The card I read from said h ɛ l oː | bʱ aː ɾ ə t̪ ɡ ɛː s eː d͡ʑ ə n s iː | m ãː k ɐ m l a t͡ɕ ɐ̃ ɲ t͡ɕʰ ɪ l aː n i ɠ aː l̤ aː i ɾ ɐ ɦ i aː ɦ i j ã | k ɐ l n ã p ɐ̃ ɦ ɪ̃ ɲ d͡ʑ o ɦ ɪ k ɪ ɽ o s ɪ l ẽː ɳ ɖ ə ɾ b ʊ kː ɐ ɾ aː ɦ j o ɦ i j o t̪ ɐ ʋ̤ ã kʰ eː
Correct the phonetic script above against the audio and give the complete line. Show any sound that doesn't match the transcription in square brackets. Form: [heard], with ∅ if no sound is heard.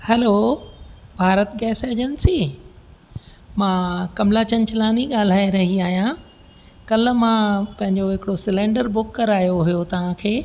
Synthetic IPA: h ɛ l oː | bʱ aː ɾ ə t̪ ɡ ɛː s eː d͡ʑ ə n s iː | m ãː k ɐ m l a t͡ɕ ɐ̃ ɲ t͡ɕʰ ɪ l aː n i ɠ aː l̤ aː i ɾ ɐ ɦ i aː ɦ i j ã | k ɐ l [m] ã p ɐ̃ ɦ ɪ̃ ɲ d͡ʑ o ɦ ɪ k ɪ ɽ o s ɪ l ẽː ɳ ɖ ə ɾ b ʊ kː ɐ ɾ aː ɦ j o ɦ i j o t̪ ɐ ʋ̤ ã kʰ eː